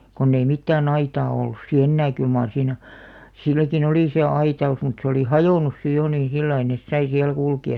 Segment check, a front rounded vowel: present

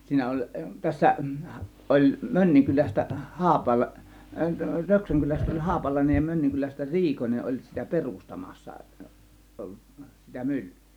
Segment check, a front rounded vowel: present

